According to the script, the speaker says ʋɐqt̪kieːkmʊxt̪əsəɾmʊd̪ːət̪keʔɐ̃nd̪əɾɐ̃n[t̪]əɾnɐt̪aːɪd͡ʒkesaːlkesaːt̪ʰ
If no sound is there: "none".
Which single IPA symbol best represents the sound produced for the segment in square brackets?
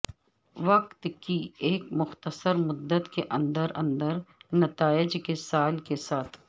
d̪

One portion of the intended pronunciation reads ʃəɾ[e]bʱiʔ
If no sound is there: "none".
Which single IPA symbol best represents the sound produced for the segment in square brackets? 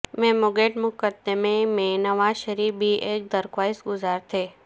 i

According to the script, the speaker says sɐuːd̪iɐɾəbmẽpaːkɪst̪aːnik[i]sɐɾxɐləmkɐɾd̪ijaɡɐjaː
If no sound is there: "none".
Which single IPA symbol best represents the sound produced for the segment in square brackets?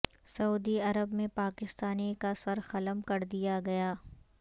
a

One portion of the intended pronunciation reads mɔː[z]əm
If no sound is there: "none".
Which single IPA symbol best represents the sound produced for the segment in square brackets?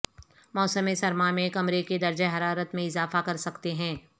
s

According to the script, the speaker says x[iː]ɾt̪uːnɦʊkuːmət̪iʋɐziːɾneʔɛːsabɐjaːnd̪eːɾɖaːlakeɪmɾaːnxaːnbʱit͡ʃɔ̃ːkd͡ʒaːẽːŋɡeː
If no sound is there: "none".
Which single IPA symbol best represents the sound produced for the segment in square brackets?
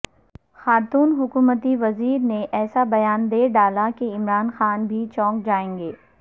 aː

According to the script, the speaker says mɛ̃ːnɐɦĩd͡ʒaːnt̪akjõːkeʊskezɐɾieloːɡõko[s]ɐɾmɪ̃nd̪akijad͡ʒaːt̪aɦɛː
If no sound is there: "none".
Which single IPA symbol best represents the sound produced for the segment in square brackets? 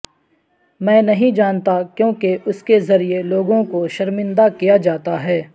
ʃ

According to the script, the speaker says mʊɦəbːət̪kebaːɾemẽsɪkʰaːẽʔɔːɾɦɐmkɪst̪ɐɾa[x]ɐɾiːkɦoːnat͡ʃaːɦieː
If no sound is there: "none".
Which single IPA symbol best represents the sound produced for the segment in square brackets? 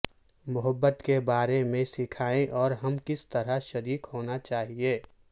ʃ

